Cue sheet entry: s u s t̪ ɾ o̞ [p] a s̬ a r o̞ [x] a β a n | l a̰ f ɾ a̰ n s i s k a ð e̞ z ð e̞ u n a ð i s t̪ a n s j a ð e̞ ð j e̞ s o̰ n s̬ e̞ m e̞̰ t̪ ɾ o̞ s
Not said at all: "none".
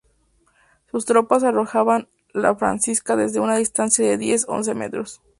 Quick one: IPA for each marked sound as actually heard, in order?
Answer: p, x

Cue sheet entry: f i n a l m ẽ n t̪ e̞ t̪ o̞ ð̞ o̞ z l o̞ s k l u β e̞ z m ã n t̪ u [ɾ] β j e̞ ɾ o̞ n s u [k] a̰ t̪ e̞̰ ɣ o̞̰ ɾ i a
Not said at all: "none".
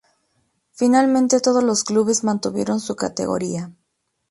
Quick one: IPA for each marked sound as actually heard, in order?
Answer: none, k

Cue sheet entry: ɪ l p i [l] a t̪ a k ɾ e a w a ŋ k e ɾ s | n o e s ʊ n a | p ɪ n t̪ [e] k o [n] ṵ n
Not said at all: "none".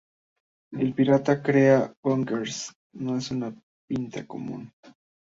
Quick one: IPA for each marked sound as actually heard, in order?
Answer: ɾ, a, m

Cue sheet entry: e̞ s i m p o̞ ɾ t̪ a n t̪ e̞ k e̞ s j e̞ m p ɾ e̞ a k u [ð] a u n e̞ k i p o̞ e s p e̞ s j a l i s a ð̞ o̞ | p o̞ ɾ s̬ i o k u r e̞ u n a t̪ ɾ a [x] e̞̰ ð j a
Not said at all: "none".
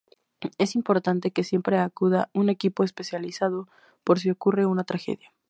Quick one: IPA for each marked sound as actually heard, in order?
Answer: ð, x

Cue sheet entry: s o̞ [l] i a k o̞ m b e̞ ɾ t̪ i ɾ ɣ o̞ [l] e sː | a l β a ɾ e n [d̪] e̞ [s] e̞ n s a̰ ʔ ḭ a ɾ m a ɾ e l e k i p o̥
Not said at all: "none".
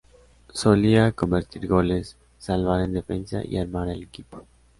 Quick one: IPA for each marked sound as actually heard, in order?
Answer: l, l, d̪, f

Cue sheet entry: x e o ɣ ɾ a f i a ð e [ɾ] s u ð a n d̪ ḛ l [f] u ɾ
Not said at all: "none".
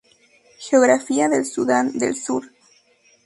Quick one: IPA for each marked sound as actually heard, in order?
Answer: l, s

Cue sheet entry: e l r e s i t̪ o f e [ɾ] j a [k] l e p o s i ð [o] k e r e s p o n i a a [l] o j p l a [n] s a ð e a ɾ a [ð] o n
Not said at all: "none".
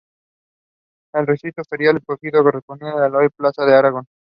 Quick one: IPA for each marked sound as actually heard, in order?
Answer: ɾ, none, o, l, none, ɣ

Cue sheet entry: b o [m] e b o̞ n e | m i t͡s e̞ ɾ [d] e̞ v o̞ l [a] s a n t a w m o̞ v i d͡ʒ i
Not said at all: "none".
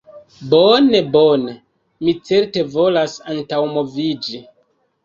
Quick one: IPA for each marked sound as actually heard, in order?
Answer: n, t, a

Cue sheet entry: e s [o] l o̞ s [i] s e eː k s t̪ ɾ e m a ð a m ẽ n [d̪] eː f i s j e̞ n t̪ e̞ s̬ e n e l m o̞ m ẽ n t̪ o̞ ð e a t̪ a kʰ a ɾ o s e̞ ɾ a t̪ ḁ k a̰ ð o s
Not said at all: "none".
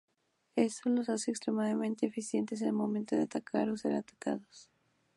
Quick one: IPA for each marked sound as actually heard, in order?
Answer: o, a, t̪

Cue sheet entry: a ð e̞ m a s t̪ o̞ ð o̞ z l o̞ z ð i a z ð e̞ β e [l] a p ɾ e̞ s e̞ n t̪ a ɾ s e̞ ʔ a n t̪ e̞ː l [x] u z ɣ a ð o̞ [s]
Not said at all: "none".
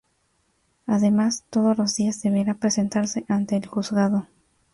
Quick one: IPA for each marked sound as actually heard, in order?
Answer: ɾ, x, none

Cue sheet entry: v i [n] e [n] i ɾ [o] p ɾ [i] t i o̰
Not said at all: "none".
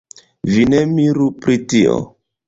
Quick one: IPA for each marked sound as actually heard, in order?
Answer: n, m, u, i

